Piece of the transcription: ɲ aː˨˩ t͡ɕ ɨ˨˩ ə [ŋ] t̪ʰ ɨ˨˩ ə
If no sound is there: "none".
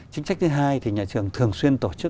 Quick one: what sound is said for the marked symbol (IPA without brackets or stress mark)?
ŋ